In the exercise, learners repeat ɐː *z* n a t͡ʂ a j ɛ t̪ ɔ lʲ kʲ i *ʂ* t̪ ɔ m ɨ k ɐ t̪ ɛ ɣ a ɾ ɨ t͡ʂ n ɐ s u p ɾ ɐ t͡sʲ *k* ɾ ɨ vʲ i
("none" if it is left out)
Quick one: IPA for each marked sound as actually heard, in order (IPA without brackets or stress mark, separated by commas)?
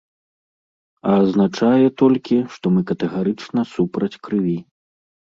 z, ʂ, k